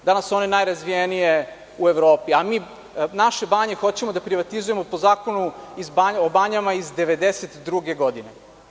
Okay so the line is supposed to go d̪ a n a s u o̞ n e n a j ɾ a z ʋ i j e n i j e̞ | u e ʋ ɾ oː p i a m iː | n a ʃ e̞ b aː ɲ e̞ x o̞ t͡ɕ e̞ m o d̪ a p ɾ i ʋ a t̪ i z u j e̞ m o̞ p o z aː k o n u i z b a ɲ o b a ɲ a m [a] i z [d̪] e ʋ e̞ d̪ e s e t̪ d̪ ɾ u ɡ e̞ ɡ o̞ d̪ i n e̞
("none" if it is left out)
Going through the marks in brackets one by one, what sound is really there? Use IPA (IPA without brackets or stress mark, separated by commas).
a, d̪